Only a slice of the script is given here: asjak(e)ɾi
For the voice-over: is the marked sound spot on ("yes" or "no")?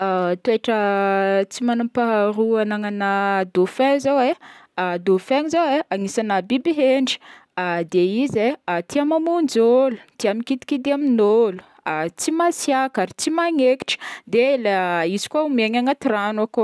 no